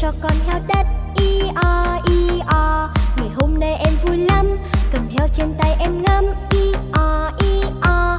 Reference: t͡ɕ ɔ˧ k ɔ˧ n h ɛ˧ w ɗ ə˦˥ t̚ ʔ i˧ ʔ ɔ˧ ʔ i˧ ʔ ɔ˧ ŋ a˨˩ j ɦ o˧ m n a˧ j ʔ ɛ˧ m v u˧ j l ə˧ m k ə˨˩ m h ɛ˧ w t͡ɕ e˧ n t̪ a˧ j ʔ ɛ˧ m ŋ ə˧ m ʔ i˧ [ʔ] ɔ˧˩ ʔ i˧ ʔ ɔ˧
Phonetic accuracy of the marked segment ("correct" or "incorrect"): correct